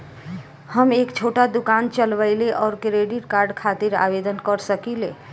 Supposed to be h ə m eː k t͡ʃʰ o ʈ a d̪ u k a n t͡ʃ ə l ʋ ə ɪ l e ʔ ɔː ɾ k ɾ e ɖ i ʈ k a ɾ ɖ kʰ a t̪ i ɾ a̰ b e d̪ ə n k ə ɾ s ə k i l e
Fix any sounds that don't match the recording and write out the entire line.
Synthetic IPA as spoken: h ə m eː k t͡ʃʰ o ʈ a d̪ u k a n t͡ʃ ə l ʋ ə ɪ l e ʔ ɔː ɾ k ɾ e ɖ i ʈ k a ɾ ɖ kʰ a t̪ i ɾ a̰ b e d̪ ə n k ə ɾ s ə k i l e